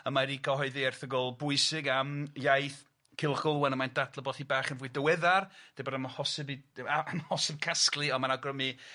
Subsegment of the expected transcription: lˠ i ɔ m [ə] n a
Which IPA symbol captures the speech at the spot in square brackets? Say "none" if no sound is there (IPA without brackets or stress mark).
a